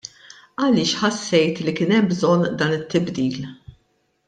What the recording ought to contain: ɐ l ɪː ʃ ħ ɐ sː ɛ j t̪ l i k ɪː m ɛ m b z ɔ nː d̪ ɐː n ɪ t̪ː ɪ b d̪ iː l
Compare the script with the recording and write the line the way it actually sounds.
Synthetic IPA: ɐ l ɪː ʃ ħ ɐ sː ɛ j t̪ l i k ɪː n ɛ m b z ɔ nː d̪ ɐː n ɪ t̪ː ɪ b d̪ iː l

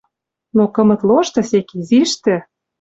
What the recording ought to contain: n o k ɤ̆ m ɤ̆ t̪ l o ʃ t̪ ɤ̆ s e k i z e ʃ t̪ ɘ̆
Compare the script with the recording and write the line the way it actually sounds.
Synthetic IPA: n o k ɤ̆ m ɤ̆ t̪ l o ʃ t̪ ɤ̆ s e k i z i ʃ t̪ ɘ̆

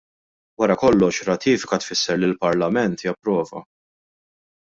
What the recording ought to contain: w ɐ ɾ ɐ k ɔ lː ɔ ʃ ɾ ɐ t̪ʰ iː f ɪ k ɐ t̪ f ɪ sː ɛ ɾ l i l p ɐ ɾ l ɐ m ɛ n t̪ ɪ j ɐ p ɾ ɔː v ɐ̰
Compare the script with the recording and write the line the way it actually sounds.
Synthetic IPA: w ɐ ɾ ɐ k ɔ lː ɔ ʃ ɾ ɐ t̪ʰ iː f ɪ k ɐ t̪ f ɪ sː ɛ ɾ l i l p ɐ ɾ l ɐ m ɛ n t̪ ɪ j ɐ p ɾ ɔː v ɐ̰

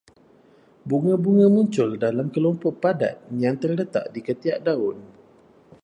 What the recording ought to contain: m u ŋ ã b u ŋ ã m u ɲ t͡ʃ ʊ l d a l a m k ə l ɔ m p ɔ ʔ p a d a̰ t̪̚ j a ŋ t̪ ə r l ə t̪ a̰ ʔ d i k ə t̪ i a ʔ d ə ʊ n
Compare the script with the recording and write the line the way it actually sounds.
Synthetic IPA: b u ŋ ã b u ŋ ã m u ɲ t͡ʃ ʊ l d a l a m k ə l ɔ m p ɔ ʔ p a d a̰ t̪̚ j a ŋ t̪ ə r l ə t̪ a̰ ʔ d i k ə t̪ i a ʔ d a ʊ n

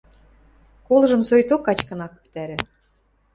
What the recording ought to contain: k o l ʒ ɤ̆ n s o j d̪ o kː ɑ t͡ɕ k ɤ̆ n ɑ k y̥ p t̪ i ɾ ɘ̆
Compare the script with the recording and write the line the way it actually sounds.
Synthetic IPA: k o l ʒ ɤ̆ m s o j t̪ o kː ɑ t͡ɕ k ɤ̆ n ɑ k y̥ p t̪ æ ɾ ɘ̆

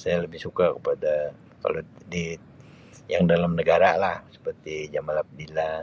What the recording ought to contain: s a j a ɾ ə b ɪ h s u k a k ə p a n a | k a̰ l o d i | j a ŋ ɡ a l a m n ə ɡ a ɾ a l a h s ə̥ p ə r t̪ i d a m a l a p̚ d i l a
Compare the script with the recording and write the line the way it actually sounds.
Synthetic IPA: s a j a l ə b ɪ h s u k a k ə p a d a | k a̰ l o d i | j a ŋ d a l a m n ə ɡ a ɾ a l a h s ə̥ p ə r t̪ i d͡ʒ a m a l a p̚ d i l a

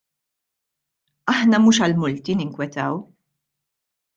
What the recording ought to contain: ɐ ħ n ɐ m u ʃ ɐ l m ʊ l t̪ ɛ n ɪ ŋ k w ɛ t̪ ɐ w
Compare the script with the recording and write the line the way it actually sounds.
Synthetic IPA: ɐ ħ n ɐ m uː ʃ ɐ l m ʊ l t̪ i n ɪ ŋ k w ɛ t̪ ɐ w

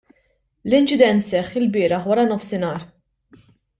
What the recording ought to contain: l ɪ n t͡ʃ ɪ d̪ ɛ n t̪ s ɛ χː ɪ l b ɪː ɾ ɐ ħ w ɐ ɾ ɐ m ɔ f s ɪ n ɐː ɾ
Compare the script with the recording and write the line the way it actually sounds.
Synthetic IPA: l ɪ n t͡ʃ ɪ d̪ ɛ n t̪ s ɛ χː ɪ l b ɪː ɾ ɐ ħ w ɐ ɾ ɐ n ɔ f s ɪ n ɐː ɾ

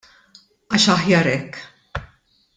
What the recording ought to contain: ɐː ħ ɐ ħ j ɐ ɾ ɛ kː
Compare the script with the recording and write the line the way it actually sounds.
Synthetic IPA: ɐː ʃ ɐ ħ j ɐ ɾ ɛ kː

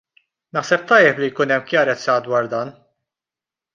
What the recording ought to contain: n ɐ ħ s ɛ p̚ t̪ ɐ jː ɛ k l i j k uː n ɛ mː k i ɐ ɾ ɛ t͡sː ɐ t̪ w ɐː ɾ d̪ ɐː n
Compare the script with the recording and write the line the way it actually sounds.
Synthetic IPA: n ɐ ħ s ɛ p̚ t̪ ɐ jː ɛ p l i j k uː n ɛ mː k j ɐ ɾ ɛ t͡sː ɐ d̪ w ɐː ɾ d̪ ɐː n

